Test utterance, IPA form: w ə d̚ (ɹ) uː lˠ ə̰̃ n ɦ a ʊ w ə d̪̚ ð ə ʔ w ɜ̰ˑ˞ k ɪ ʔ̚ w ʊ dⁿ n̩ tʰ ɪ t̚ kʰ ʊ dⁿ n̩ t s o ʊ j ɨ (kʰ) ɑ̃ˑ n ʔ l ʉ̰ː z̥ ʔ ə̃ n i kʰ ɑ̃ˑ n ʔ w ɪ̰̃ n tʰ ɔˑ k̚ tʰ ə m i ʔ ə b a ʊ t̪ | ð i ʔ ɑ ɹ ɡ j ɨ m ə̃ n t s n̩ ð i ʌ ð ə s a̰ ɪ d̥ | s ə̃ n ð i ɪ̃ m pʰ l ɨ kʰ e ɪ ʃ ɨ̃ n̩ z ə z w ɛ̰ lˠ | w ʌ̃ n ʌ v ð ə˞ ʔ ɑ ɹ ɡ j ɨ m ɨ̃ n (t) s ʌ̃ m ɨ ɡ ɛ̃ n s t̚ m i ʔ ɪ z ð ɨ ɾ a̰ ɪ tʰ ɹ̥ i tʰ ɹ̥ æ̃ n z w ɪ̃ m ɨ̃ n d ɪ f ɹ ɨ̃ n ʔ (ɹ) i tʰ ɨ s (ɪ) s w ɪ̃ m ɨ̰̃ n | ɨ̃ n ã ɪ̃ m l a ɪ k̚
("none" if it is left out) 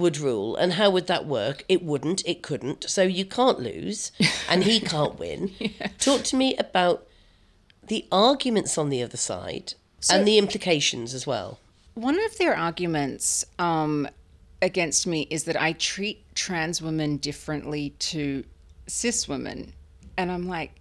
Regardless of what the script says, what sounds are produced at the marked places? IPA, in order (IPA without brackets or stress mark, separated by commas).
ɹ, kʰ, t, l, ɪ